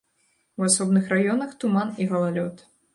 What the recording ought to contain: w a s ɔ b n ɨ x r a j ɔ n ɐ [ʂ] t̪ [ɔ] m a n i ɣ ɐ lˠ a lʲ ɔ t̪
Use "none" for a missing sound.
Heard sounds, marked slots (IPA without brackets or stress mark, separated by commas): x, u